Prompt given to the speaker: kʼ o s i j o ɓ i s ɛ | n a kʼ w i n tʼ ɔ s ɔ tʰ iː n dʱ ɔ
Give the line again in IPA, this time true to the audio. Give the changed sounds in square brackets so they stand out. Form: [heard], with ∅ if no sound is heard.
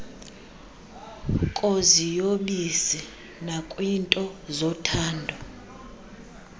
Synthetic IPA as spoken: kʼ o [z] i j o ɓ i s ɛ | n a kʼ w i n tʼ ɔ [z] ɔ tʰ [aː] n dʱ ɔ